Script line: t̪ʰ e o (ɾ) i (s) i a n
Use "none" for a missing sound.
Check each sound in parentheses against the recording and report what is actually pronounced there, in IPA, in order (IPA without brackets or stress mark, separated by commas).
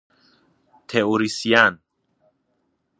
ɾ, s